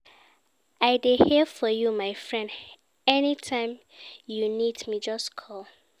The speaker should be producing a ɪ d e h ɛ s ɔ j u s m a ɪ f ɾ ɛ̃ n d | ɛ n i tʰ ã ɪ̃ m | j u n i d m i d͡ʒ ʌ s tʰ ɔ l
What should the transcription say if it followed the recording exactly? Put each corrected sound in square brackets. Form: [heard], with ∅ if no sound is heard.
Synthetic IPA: a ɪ d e h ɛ [f] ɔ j u [∅] m a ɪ f [ɹ] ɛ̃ n d | ɛ n i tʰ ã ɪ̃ m | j u n i d m i d͡ʒ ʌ s [kʰ] ɔ l